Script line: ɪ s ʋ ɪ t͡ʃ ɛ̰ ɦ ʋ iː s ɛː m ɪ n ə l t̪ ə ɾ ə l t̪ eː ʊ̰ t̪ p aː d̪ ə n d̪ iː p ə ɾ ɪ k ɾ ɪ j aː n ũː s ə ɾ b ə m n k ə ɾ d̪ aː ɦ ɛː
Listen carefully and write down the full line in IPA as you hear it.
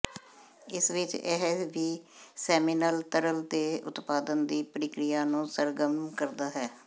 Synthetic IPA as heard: ɪ s ʋ ɪ t͡ʃ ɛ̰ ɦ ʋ iː s ɛː m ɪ n ə l t̪ ə ɾ ə l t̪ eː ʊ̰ t̪ p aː d̪ ə n d̪ iː p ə ɾ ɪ k ɾ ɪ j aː n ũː s ə ɾ ɡ ə m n k ə ɾ d̪ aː ɦ ɛː

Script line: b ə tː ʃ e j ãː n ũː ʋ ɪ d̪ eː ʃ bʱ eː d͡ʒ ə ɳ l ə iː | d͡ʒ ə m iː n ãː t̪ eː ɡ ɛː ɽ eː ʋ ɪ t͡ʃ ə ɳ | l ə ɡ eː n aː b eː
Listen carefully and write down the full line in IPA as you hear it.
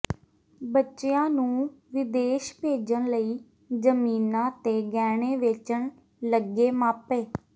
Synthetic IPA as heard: b ə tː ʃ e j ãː n ũː ʋ ɪ d̪ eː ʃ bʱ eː d͡ʒ ə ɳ l ə iː | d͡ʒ ə m iː n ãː t̪ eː ɡ ɛː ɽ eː ʋ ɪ t͡ʃ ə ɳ | l ə ɡ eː m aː p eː

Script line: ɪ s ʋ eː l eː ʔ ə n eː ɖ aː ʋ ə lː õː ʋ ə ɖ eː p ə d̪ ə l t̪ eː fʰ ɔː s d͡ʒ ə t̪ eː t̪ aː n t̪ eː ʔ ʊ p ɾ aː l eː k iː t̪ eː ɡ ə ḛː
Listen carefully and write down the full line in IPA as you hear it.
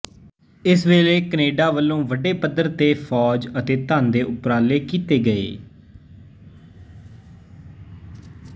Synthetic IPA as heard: ɪ s ʋ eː l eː k ə n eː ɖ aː ʋ ə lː õː ʋ ə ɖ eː p ə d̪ ə ɾ t̪ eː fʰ ɔː d͡ʒ ə t̪ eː t̪ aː n d̪ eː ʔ ʊ p ɾ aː l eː k iː t̪ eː ɡ ə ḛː

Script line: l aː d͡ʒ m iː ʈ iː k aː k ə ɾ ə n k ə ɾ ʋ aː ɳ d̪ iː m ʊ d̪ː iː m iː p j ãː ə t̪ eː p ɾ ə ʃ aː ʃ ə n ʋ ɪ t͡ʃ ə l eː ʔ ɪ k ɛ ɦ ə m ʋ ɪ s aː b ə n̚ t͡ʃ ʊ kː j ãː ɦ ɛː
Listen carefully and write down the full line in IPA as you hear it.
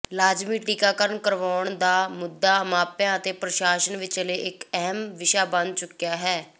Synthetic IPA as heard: l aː d͡ʒ m iː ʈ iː k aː k ə ɾ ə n k ə ɾ ʋ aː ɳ d̪ aː m ʊ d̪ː aː m aː p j ãː ə t̪ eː p ɾ ə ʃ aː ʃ ə n ʋ ɪ t͡ʃ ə l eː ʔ ɪ k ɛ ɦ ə m ʋ ɪ ʃ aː b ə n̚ t͡ʃ ʊ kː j aː ɦ ɛː

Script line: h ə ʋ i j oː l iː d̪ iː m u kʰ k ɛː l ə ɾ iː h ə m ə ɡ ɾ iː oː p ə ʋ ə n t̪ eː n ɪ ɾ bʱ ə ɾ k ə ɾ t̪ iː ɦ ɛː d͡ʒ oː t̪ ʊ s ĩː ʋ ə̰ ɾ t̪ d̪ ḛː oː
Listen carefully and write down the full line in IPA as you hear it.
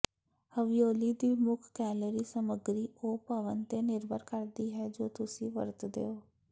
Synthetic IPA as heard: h ə ʋ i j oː l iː d̪ iː m ʊ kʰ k ɛː l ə ɾ iː s ə m ə ɡ ɾ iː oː p ə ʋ ə n t̪ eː n ɪ ɾ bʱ ə ɾ k ə ɾ d̪ iː ɦ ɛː d͡ʒ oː t̪ ʊ s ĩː ʋ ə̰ ɾ t̪ d̪ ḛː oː

